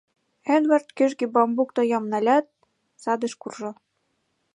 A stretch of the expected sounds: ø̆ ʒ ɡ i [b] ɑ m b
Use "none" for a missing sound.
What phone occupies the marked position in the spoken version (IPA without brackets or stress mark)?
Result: b